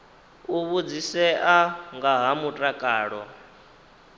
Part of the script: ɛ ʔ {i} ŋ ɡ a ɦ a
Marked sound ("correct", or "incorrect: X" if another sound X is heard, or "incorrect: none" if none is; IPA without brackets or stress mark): incorrect: a